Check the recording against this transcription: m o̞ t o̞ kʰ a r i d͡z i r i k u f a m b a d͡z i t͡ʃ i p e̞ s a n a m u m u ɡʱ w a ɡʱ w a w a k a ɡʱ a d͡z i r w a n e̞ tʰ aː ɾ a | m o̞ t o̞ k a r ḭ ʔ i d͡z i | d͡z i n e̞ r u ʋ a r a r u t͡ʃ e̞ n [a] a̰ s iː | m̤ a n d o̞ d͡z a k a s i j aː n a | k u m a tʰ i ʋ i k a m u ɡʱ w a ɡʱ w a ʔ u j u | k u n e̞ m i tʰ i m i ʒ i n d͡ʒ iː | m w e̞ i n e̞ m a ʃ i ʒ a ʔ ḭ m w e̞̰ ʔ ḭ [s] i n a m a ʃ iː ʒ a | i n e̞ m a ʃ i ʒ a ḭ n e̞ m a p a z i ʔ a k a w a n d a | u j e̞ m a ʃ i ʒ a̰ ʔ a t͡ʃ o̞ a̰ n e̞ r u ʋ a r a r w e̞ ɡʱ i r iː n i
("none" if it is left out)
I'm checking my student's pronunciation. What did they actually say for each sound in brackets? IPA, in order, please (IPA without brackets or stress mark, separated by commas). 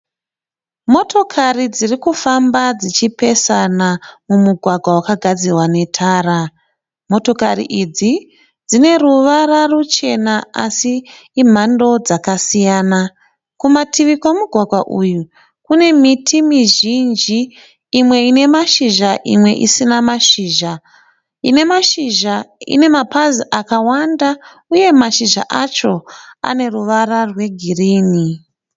a, s